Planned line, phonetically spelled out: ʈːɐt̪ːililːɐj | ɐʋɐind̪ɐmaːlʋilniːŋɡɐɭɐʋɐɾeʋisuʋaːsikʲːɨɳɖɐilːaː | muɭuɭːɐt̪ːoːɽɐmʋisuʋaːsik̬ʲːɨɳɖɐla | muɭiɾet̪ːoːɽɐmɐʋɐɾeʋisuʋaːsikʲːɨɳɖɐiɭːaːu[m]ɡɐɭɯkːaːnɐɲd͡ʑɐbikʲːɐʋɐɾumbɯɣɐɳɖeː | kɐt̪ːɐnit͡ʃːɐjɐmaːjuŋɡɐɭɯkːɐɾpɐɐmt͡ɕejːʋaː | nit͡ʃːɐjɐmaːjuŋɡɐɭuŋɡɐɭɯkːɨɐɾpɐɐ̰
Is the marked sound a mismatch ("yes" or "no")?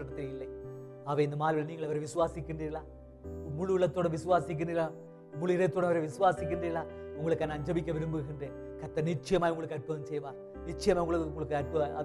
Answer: yes